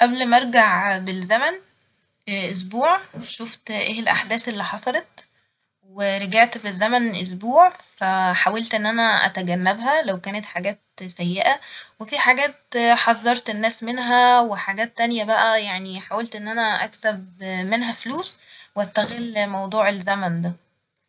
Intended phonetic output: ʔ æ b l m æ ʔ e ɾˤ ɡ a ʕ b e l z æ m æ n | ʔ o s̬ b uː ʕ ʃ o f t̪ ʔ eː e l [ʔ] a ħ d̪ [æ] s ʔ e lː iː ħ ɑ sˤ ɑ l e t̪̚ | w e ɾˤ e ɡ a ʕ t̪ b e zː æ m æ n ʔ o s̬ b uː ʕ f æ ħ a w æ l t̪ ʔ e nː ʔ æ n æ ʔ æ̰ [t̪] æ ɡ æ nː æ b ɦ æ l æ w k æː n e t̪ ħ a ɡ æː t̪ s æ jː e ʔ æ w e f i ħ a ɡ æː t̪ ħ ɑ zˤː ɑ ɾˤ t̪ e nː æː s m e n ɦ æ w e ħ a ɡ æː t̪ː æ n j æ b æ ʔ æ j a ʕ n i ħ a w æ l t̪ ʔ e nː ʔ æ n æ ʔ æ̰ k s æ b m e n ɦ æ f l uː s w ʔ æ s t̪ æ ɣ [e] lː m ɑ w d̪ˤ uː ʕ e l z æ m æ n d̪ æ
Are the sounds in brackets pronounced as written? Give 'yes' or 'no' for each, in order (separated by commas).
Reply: yes, no, yes, yes